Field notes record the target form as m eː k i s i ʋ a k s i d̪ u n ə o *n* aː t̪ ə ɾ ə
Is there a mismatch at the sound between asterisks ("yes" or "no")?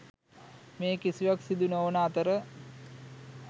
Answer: no